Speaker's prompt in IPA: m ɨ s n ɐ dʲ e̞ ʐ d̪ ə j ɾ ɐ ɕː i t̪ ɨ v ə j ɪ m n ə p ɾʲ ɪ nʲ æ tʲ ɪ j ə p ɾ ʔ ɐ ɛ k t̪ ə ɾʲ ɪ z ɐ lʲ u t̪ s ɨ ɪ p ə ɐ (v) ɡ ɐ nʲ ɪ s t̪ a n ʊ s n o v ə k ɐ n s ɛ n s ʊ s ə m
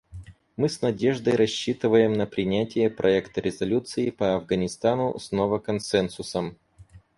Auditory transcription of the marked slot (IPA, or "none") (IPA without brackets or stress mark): v